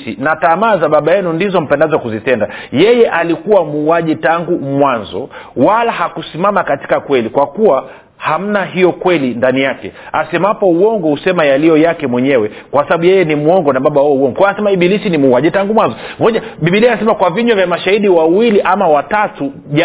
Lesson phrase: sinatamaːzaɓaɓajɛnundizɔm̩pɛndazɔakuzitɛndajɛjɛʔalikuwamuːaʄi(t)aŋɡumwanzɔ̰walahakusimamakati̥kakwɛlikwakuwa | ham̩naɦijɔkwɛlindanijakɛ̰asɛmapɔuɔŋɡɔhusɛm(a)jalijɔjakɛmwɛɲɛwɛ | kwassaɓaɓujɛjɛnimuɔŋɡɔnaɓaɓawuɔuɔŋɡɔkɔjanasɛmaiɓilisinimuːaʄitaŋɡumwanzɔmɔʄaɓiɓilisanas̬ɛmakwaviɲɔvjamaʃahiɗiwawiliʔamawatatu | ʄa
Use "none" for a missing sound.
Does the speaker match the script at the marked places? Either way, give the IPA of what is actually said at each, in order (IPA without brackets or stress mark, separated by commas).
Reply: t, a